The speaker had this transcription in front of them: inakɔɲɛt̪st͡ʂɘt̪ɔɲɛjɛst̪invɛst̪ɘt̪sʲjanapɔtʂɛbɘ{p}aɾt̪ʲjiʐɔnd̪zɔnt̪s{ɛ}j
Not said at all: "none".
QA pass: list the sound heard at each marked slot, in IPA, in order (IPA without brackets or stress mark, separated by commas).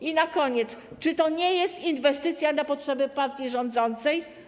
p, ɛ